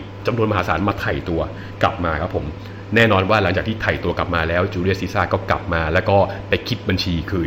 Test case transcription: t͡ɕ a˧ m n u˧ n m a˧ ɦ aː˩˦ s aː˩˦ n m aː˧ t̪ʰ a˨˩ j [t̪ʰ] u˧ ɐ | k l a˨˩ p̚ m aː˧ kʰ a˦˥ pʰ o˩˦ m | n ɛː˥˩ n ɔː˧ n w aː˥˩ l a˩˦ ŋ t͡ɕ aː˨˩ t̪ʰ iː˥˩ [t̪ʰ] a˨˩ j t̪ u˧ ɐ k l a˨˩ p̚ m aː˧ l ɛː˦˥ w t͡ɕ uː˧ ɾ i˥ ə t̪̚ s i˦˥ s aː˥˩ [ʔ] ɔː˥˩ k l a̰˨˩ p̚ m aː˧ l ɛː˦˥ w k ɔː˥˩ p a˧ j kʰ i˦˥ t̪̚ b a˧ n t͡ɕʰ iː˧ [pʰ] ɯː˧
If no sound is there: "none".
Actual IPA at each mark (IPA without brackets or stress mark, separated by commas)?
t̪, t̪ʰ, k, kʰ